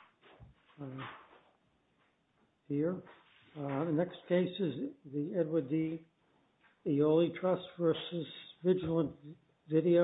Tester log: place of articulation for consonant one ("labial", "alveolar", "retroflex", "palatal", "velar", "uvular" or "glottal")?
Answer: glottal